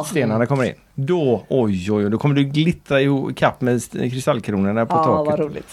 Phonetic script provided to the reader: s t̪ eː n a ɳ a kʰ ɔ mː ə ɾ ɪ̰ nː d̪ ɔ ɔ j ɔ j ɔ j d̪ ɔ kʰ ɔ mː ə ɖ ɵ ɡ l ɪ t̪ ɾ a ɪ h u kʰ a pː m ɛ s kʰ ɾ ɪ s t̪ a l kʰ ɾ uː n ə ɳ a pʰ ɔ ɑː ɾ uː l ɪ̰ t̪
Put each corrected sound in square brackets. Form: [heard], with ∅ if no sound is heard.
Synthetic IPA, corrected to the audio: s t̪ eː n a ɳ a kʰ ɔ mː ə ɾ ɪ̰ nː d̪ ɔ ɔ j ɔ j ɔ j d̪ ɔ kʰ ɔ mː ə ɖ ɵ ɡ l ɪ t̪ ɾ a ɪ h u kʰ a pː m ɛ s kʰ ɾ ɪ s t̪ a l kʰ ɾ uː n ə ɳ a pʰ ɔ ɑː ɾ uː l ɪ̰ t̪